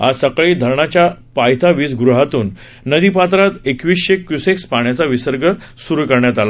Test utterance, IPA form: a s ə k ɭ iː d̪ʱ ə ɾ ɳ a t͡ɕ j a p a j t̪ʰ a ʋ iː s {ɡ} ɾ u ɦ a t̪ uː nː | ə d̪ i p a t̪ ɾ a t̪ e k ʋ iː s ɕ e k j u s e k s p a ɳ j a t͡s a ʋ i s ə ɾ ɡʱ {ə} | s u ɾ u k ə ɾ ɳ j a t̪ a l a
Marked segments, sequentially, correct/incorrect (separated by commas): correct, correct